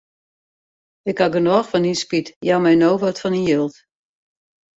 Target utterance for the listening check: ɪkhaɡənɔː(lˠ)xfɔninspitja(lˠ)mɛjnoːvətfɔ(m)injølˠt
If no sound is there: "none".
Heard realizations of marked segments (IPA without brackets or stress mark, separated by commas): none, none, n